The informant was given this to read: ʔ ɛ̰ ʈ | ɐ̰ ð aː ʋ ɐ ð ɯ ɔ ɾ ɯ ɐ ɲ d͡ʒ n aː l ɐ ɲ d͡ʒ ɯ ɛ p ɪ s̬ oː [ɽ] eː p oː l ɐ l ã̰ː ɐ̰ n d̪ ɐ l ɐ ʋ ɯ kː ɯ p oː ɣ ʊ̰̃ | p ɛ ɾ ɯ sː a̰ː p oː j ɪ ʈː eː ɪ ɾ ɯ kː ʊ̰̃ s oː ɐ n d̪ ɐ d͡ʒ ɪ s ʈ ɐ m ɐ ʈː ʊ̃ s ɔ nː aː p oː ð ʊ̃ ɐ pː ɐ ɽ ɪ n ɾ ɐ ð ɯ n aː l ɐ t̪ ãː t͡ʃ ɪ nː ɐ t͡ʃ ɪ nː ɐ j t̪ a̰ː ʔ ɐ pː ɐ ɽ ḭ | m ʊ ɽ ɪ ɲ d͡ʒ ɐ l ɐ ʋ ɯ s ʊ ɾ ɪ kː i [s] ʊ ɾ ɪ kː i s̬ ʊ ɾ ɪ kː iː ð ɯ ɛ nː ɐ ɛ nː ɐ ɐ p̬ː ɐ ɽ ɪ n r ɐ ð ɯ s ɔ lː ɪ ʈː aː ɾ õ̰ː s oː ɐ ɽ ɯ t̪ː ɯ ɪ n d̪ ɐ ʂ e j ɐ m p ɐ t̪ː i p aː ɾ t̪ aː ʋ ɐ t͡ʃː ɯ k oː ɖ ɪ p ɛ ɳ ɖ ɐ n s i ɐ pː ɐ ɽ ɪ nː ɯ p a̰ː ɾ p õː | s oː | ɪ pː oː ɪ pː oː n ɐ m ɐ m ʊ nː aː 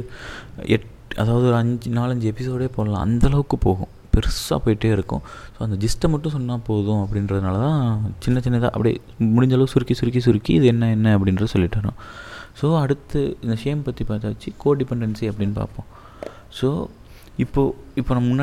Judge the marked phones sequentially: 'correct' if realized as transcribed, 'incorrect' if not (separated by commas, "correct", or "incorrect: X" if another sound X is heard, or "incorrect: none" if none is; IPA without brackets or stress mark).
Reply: correct, correct